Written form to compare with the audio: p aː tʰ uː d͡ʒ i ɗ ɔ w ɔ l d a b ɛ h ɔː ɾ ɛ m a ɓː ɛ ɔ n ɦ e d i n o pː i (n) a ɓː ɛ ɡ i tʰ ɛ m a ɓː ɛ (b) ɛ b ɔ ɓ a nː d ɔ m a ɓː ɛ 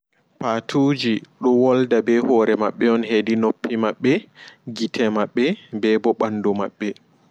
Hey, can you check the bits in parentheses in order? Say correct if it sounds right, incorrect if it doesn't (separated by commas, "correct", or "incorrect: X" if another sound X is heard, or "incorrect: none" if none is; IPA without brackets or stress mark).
incorrect: m, correct